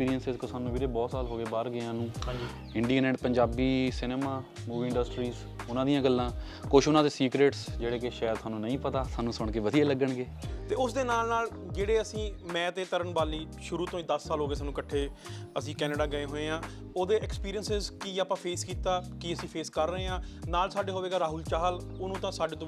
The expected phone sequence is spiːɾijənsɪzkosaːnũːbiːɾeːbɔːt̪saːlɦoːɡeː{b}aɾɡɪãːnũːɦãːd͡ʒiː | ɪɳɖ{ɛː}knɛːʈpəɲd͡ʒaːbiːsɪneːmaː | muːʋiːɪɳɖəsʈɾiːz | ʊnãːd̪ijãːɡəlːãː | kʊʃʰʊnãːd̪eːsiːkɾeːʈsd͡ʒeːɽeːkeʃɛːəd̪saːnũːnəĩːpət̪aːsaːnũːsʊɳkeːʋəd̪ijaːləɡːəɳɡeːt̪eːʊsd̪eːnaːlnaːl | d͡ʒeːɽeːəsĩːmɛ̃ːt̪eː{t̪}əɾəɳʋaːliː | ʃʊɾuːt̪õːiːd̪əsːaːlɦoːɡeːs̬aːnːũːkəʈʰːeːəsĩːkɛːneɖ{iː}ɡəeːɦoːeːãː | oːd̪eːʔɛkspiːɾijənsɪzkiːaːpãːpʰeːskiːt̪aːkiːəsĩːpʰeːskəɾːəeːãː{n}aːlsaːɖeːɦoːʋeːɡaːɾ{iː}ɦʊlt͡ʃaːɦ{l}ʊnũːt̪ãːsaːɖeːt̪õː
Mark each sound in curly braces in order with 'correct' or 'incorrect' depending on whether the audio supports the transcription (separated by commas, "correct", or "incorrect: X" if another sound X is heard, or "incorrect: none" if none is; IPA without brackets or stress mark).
correct, incorrect: iː, correct, incorrect: aː, correct, incorrect: aː, correct